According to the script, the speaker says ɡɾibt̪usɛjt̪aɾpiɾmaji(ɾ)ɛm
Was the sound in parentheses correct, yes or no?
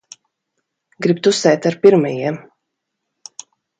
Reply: no